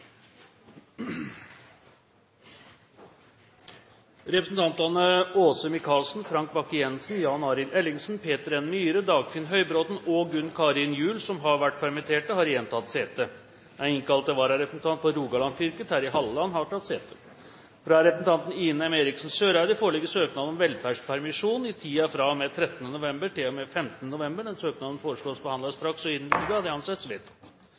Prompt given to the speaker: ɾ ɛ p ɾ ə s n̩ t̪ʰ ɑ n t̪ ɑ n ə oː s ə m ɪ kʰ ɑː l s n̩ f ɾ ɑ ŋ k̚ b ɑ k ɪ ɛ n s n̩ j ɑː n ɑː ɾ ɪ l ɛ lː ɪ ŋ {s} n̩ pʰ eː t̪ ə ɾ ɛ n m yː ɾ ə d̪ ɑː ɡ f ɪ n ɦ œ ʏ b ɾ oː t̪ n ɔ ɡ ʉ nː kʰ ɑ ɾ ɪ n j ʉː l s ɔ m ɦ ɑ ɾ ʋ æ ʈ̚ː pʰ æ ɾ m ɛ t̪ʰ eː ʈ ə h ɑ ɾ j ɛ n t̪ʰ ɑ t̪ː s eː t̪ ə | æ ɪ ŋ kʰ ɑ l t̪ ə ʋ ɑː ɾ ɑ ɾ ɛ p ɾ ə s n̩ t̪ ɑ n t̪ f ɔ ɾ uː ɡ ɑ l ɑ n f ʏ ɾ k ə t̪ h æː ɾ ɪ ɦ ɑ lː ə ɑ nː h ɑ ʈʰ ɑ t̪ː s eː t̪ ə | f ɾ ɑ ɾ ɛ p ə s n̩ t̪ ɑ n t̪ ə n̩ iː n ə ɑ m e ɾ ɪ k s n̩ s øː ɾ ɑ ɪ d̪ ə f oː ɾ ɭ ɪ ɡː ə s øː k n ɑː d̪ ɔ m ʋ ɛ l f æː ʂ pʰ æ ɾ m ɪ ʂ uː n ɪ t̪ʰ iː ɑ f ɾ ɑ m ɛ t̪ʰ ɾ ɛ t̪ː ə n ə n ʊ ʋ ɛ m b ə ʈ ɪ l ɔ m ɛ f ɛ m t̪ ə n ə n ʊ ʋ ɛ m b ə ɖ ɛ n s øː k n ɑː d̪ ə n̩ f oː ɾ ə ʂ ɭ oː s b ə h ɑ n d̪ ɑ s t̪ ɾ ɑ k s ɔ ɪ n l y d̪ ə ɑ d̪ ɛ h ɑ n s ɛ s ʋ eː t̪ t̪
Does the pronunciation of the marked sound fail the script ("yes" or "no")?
no